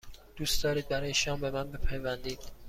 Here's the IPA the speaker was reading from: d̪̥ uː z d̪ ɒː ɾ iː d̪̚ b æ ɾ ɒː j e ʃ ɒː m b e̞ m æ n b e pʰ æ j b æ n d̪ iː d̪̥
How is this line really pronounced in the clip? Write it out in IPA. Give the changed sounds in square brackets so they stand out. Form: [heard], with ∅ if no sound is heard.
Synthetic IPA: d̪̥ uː [s] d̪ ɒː ɾ iː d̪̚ b æ ɾ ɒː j e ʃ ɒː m b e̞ m æ n b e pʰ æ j [v] æ n d̪ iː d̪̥